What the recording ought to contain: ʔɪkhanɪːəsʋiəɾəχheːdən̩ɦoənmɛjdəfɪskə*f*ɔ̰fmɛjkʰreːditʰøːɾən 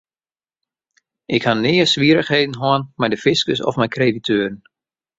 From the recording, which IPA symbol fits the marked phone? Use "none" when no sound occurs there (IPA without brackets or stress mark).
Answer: s